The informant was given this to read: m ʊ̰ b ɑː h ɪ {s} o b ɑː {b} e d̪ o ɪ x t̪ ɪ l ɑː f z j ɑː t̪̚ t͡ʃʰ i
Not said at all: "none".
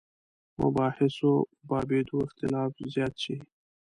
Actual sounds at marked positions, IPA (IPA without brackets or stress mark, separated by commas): s, b